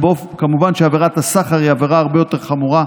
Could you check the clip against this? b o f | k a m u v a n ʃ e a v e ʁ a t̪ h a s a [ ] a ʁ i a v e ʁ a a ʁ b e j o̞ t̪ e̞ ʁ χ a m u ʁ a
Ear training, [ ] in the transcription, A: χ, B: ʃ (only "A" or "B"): A